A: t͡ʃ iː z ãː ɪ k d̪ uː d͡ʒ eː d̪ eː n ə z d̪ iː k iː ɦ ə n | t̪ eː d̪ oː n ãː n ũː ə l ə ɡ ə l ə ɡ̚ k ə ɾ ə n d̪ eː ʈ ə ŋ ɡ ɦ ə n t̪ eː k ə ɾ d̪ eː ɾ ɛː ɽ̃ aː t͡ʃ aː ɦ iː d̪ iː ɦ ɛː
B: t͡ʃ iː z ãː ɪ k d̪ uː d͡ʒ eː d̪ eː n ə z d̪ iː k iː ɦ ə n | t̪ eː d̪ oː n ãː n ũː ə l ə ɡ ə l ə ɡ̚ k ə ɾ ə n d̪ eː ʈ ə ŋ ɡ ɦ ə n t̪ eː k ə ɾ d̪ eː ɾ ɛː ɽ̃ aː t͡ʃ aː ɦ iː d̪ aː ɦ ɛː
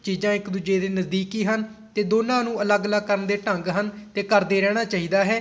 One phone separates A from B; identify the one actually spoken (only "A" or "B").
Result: B